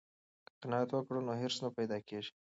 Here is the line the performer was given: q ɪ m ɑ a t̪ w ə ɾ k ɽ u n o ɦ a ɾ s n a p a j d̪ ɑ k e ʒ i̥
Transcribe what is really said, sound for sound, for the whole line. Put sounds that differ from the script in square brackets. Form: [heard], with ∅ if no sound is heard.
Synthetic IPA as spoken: q ɪ [n] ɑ a t̪ w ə [∅] k ɽ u n o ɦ [e] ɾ s n a p a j d̪ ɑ k e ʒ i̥